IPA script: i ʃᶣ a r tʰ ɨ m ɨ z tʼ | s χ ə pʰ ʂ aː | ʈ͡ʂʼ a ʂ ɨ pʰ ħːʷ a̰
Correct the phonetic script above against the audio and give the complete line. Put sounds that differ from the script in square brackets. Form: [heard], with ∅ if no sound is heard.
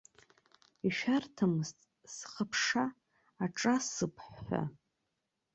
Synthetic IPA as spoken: i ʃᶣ a r tʰ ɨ m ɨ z tʼ | s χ ə pʰ ʂ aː | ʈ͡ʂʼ a [s] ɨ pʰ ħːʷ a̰